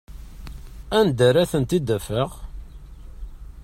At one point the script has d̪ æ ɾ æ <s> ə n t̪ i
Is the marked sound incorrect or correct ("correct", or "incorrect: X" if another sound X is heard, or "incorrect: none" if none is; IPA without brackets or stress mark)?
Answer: incorrect: θ